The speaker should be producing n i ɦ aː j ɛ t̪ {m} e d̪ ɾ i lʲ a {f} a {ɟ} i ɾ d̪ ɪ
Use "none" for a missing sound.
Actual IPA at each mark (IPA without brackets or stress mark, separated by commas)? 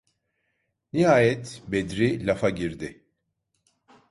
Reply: b, f, ɟ